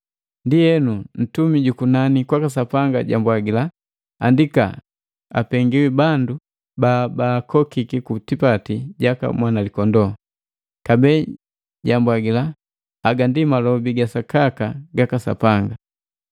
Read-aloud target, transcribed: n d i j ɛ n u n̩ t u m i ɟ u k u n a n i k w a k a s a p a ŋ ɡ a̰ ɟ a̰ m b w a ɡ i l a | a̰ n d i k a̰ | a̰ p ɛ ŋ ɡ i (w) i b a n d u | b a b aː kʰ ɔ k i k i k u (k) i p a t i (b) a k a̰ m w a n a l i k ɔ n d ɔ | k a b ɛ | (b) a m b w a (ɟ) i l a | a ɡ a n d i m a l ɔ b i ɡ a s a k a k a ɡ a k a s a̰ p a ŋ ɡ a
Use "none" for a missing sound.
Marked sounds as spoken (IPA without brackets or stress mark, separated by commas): w, t, ɟ, ɟ, ɡ